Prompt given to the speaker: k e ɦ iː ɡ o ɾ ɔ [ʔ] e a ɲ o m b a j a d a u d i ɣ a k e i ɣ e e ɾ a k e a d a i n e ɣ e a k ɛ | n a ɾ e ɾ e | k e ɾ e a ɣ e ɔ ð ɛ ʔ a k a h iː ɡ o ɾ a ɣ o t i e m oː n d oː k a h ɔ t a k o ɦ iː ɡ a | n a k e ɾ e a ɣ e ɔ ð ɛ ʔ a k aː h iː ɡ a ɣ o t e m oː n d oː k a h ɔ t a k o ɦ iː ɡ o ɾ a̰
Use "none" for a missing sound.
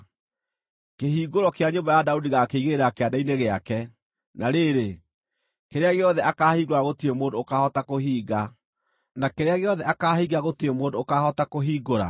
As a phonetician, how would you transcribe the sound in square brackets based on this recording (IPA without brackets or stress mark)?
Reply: k